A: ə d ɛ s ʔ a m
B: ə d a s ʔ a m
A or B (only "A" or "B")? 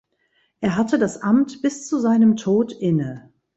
B